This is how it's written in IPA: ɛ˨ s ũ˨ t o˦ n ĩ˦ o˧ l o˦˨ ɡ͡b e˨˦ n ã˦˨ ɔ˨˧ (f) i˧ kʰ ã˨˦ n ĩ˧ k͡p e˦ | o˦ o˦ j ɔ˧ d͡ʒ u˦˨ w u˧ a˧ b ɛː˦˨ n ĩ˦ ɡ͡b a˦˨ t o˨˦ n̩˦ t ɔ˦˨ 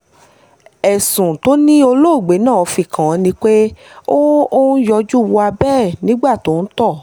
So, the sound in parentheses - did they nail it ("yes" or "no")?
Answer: yes